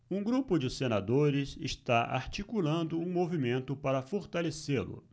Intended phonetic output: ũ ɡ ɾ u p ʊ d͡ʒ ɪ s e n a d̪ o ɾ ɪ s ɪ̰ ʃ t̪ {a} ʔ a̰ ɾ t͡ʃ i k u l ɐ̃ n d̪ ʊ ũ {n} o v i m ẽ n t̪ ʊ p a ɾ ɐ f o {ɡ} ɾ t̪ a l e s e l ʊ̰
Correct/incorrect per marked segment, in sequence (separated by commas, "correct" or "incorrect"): correct, incorrect, incorrect